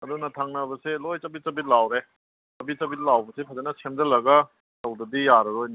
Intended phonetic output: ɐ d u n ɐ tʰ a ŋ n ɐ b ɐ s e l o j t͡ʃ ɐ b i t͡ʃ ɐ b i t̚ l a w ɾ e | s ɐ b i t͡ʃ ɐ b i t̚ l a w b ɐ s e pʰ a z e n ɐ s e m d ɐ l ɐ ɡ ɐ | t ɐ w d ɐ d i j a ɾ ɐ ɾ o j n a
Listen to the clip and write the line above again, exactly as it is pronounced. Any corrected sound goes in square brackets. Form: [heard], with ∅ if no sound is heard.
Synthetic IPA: ɐ d u n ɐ tʰ a ŋ n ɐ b ɐ s e l o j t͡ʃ ɐ b i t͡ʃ ɐ b i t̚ l a w ɾ e | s ɐ b i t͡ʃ ɐ b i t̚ l a w b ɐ s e pʰ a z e n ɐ s e m d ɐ l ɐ ɡ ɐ | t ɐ w d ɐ d i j a ɾ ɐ ɾ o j n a

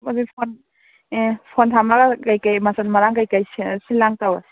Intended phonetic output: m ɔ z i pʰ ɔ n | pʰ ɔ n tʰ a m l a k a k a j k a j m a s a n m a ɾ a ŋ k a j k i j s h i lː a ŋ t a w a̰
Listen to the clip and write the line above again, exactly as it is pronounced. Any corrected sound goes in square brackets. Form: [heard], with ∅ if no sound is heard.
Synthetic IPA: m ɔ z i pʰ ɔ n | pʰ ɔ n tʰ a m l a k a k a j k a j m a s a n m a ɾ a ŋ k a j k [a] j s [s] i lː a ŋ t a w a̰

